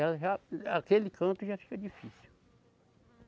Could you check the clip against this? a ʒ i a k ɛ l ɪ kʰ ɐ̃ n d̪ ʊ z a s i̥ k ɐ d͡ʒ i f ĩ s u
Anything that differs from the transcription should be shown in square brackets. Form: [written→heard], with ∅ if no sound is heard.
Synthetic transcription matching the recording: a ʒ [i→a] a k [ɛ→e] l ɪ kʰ ɐ̃ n [d̪→t̪] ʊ [z→ʒ] a [s→f] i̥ k ɐ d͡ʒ i f [ĩ→i] s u